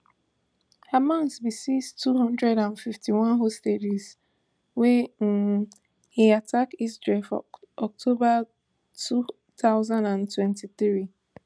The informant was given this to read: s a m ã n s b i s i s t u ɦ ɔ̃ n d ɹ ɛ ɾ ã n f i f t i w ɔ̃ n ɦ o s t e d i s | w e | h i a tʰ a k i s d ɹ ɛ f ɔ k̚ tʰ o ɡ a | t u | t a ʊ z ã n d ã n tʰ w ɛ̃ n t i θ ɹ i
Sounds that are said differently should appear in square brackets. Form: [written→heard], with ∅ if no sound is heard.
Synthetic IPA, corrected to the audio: [s→h] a m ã n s b i s i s t u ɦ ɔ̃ n d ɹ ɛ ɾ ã n f i f t i w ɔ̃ n ɦ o s t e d i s | w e | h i a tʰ a k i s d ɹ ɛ f ɔ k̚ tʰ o [ɡ→b] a | t u | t a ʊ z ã n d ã n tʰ w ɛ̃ n t i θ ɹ i